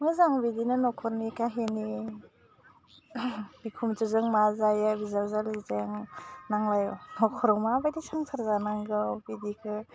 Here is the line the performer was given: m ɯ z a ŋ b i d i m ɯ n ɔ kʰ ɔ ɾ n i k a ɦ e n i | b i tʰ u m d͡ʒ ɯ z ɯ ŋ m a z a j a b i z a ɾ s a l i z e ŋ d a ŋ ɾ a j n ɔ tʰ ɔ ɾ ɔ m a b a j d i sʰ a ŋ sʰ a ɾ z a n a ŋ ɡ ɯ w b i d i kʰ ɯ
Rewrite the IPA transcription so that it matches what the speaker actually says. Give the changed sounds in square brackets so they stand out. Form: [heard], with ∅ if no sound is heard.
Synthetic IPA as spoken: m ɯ z a ŋ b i d i [n] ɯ n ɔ kʰ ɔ ɾ n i k a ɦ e n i | b i [kʰ] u m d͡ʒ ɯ z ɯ ŋ m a z a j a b i z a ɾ [z] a l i z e ŋ [n] a ŋ [l] a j n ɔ [kʰ] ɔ ɾ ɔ m a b a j d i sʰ a ŋ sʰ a ɾ z a n a ŋ ɡ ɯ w b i d i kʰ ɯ